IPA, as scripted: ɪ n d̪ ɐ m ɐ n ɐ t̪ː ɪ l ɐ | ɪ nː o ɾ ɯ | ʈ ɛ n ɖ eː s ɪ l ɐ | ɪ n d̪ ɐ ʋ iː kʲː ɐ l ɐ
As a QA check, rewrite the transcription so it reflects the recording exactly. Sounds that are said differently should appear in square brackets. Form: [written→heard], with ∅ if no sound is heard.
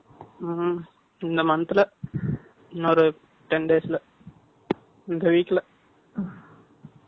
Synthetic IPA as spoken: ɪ n d̪ ɐ m ɐ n ɐ t̪ː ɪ l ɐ | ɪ nː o ɾ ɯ | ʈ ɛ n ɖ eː s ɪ l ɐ | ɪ n d̪ ɐ ʋ iː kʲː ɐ l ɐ

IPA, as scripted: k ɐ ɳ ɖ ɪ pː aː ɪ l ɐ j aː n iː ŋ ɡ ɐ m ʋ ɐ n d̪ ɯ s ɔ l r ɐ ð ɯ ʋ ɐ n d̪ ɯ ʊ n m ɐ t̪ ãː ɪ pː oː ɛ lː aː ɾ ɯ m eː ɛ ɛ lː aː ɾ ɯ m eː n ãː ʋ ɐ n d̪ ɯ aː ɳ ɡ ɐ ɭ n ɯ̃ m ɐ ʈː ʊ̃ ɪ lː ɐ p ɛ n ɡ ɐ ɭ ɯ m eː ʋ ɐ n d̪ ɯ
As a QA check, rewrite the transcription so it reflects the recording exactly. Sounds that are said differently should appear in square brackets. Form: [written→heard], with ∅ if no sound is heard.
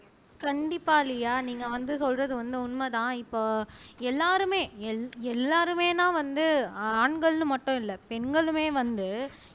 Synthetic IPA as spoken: k ɐ ɳ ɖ ɪ pː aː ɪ l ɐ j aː n iː ŋ ɡ ɐ [m→∅] ʋ ɐ n d̪ ɯ s ɔ l r ɐ ð ɯ ʋ ɐ n d̪ ɯ ʊ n m ɐ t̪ ãː ɪ pː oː ɛ lː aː ɾ ɯ m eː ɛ ɛ lː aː ɾ ɯ m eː n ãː ʋ ɐ n d̪ ɯ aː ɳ ɡ ɐ ɭ n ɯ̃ m ɐ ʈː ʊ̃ ɪ lː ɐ p ɛ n ɡ ɐ ɭ ɯ m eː ʋ ɐ n d̪ ɯ

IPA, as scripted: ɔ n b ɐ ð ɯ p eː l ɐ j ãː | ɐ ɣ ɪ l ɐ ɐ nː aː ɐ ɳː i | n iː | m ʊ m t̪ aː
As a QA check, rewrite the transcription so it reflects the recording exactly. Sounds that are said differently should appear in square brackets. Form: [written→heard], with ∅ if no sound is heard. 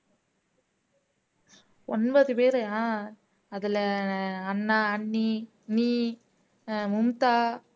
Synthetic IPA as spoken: ɔ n b ɐ ð ɯ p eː [l→ɾ] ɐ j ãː | ɐ [ɣ→ð] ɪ l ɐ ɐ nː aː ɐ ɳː i | n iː | m ʊ m t̪ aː

